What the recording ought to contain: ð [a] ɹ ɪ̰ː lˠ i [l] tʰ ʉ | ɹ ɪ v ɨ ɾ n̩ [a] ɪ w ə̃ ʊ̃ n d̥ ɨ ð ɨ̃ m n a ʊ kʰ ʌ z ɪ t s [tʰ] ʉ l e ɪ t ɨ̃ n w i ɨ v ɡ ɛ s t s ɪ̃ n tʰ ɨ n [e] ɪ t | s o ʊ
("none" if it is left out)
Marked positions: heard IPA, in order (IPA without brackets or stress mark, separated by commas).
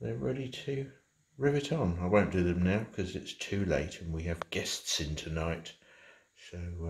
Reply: ə, none, a, tʰ, a